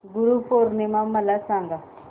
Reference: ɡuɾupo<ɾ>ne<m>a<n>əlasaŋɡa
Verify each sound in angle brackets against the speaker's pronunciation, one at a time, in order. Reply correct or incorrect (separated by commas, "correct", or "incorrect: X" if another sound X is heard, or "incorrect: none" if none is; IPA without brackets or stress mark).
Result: correct, correct, incorrect: m